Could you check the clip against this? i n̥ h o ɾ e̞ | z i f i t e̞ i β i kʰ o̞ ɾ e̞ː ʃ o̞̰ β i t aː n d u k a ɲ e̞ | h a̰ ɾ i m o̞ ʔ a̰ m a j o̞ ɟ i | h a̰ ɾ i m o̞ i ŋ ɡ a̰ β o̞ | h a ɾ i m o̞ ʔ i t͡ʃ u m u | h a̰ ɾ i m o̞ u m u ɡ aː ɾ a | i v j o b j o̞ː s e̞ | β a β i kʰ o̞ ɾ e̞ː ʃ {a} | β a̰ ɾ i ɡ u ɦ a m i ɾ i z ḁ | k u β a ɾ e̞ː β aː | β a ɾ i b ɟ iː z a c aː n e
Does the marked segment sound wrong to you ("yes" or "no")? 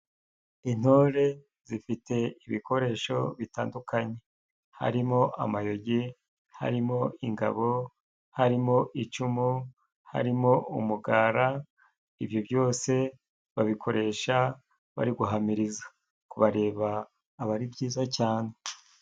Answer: no